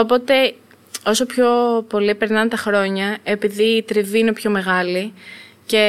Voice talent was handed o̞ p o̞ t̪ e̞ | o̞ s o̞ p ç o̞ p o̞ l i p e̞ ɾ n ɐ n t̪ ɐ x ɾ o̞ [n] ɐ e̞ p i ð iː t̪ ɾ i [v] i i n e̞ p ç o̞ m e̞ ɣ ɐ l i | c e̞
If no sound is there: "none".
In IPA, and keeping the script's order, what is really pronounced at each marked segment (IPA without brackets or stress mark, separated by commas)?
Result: ɲ, v